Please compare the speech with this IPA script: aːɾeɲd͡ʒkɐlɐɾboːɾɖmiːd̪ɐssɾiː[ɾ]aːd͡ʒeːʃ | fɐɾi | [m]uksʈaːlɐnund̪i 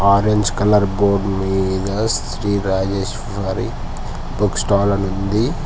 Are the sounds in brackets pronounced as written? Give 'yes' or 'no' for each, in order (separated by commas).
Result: yes, no